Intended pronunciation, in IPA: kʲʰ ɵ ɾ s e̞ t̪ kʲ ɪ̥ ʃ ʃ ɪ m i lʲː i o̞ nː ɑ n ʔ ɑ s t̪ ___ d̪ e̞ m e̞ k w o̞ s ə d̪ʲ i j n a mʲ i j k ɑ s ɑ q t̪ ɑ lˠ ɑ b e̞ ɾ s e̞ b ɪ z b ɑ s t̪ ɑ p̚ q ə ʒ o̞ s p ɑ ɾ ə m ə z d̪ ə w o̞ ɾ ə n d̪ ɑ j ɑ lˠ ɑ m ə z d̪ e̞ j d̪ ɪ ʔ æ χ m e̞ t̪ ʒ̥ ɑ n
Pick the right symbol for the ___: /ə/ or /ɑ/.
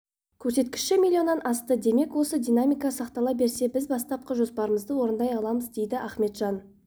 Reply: ə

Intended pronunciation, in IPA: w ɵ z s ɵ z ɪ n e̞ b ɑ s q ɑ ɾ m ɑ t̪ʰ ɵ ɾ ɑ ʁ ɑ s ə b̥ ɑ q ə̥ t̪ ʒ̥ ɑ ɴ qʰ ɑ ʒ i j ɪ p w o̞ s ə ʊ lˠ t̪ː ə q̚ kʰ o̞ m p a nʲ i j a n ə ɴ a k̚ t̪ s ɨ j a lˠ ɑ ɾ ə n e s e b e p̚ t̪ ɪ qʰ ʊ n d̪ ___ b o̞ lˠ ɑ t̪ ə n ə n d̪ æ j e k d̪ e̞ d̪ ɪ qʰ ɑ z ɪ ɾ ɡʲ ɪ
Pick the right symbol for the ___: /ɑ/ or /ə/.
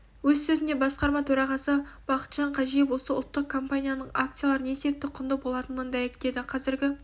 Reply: ə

